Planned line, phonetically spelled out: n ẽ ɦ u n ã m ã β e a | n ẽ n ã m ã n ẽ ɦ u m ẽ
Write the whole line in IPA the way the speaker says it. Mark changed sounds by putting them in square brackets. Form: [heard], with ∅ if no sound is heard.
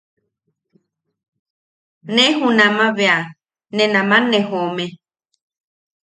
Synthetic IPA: n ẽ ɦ u n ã m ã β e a | n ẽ n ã m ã n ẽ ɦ [o] m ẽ